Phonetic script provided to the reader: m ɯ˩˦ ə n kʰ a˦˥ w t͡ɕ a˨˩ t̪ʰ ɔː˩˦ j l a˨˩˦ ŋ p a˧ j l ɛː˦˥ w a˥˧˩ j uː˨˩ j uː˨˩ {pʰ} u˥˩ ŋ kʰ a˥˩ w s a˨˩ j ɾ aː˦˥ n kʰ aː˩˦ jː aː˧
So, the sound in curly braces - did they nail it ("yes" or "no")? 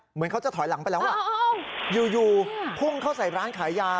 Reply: yes